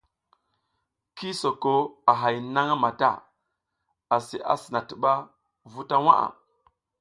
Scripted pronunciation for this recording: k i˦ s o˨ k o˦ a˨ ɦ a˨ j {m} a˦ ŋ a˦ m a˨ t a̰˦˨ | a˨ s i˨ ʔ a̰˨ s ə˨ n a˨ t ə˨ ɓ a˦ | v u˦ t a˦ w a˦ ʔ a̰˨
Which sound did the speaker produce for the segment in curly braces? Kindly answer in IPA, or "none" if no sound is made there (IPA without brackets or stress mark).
n